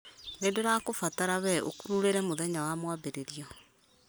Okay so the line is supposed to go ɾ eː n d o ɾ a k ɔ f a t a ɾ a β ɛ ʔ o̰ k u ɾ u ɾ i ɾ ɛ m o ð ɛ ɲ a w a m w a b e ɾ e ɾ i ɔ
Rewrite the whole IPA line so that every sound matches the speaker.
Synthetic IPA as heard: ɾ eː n d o ɾ a k o f a t a ɾ a β ɛ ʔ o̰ k u ɾ u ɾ e ɾ ɛ m o ð ɛ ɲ a w a m w a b e ɾ e ɾ i ɔ

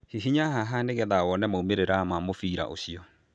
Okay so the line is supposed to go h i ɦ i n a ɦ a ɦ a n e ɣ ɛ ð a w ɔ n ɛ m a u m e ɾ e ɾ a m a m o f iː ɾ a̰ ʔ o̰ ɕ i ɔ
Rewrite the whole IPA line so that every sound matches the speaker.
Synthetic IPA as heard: h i ɦ i ɲ a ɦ a ɦ a n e ɣ ɛ ð a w ɔ n ɛ m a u m e ɾ e ɾ a m a m o f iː ɾ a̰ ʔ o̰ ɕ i ɔ

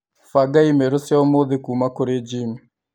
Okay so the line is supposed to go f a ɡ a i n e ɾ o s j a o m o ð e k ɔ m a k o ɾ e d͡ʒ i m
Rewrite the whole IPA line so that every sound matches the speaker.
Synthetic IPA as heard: f a ɡ a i m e ɾ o s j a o m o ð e k u m a k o ɾ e d͡ʒ i m

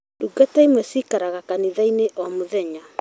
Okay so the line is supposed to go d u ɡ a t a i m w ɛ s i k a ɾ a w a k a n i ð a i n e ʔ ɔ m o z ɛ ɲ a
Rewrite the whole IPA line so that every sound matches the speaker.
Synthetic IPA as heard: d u ɡ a t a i m w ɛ s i k a ɾ a ɣ a k a n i ð a i n e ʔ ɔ m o ð ɛ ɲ a

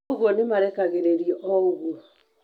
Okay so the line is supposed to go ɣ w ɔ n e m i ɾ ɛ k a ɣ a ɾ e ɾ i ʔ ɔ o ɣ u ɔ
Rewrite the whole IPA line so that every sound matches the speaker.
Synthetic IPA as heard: ɣ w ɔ n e m a ɾ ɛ k a ɣ e ɾ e ɾ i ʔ ɔ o ɣ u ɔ

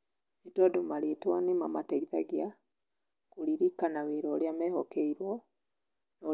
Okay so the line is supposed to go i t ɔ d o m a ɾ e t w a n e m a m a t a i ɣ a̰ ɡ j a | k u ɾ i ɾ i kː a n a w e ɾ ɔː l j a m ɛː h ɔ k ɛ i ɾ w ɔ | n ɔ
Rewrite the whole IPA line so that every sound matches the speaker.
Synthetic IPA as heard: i t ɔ d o m a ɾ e t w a n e m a m a t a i ð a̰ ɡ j a | k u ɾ i ɾ i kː a n a w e ɾ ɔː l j a m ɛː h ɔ k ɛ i ɾ w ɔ | n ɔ

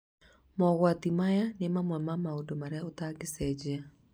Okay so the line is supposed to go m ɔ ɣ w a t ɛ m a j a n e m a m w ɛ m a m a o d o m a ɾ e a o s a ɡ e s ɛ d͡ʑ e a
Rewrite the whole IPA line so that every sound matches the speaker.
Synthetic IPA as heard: m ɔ ɣ w a t i m a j a n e m a m w ɛ m a m a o d o m a ɾ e a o t a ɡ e s ɛ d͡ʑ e a

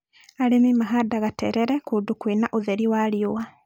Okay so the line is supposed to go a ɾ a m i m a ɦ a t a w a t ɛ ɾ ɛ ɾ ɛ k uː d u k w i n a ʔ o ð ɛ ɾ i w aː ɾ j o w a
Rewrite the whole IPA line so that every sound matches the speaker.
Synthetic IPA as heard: a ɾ e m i m a ɦ a d a ɣ a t ɛ ɾ ɛ ɾ ɛ k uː d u k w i n a ʔ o ð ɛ ɾ i w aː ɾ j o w a

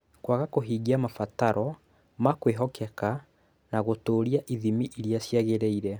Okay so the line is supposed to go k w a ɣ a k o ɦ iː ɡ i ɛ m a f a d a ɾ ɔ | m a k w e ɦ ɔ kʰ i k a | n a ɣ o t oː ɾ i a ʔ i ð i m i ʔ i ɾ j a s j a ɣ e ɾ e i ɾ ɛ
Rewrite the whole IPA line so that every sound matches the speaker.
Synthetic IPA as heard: k w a ɣ a k o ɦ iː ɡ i a m a f a t a ɾ ɔ | m a k w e ɦ ɔ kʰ ɛ k a | n a ɣ o t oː ɾ i a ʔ i ð i m i ʔ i ɾ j a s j a ɣ e ɾ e i ɾ ɛ

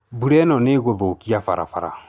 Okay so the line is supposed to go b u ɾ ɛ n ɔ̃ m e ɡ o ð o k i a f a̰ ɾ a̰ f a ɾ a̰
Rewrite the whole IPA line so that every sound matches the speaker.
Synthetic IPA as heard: b u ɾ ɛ n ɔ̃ n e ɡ o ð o k i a f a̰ ɾ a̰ f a ɾ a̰

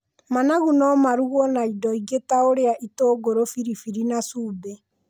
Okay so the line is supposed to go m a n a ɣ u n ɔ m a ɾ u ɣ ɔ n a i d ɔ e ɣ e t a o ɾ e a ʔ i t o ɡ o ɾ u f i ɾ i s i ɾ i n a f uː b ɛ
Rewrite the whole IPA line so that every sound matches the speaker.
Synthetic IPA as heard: m a n a ɣ u n ɔ m a ɾ u ɣ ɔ n a i d ɔ i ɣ e t a o ɾ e a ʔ i t o ɡ o ɾ o f i ɾ i f i ɾ i n a s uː b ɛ

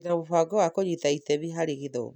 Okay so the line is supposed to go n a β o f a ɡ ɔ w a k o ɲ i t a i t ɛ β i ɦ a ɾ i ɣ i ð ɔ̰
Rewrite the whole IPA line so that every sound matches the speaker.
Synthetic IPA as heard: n a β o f a ɡ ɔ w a k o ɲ i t a i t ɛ β i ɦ a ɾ i ɣ i ð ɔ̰

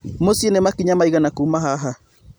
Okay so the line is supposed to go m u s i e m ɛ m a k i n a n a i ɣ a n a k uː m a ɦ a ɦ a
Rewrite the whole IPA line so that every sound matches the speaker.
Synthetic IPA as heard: m o s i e n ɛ m a k i ɲ a m a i ɣ a n a k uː m a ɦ a ɦ a

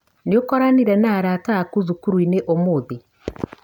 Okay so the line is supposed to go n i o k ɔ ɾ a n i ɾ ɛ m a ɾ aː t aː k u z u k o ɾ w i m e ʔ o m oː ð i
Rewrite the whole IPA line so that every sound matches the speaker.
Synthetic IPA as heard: n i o k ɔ ɾ a n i ɾ ɛ n a ɾ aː t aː k u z u k u ɾ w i n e ʔ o m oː ð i

